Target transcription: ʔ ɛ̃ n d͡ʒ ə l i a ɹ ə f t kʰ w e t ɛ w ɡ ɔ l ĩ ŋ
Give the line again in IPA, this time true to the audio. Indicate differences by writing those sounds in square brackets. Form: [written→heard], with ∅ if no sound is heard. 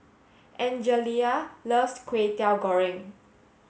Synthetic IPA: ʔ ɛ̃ n d͡ʒ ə l i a [ɹ→l] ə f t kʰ w e t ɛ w ɡ ɔ [l→ɹ] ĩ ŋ